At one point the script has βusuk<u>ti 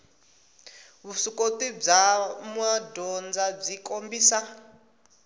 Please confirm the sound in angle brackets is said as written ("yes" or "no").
no